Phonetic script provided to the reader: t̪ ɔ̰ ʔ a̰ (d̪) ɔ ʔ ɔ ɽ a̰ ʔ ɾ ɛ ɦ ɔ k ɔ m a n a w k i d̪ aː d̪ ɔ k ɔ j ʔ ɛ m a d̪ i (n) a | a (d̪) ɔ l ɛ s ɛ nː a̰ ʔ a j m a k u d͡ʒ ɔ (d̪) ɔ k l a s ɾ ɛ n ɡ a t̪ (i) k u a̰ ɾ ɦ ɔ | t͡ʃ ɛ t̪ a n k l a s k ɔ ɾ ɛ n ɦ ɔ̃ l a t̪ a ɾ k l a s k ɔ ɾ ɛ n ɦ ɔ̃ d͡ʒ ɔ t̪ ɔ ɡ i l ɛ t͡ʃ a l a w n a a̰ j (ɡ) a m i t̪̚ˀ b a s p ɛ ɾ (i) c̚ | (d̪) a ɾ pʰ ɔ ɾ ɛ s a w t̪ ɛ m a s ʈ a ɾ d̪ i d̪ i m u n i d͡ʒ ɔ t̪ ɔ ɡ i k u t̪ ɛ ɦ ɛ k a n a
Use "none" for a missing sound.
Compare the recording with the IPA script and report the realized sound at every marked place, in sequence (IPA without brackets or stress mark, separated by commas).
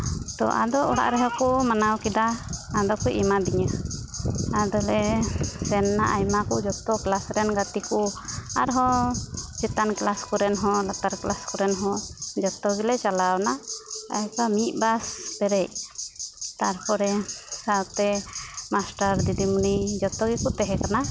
d̪, ɲ, d̪, t̪, i, k, ɛ, t̪